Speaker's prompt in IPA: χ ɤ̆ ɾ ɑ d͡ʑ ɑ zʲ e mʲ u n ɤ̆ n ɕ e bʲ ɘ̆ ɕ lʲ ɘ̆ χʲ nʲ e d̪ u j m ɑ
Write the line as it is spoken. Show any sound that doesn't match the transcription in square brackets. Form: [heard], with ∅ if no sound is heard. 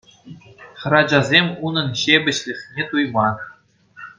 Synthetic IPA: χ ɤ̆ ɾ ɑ d͡ʑ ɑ zʲ e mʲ u n ɤ̆ n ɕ e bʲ ɘ̆ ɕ lʲ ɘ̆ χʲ nʲ e [t̪] u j m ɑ